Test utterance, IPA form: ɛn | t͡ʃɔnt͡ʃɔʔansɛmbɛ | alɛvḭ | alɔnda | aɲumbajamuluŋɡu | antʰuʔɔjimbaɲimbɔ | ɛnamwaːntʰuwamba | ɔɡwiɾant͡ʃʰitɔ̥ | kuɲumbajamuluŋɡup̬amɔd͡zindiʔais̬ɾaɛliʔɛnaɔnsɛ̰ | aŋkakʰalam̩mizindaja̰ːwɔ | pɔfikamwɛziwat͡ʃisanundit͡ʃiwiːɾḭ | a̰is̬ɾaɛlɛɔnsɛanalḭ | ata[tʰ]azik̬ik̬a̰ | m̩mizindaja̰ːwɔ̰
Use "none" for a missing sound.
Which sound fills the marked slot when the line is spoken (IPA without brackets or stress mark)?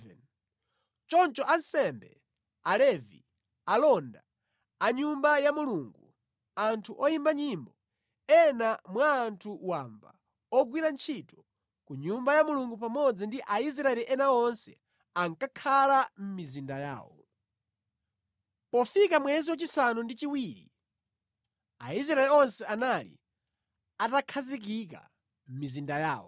kʰ